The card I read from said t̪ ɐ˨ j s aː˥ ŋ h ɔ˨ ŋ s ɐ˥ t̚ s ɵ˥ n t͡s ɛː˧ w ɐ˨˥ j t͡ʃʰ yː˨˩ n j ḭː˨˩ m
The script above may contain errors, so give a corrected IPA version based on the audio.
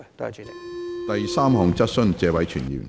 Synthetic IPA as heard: t̪ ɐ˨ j s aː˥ m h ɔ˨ ŋ t͡s ɐ˥ t̚ s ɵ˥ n t͡s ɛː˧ w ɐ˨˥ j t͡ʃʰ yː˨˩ n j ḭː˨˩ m